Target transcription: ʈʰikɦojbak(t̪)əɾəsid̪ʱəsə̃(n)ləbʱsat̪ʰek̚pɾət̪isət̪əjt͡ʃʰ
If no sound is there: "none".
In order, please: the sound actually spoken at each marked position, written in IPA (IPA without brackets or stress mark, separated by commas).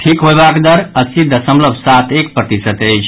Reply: d̪, m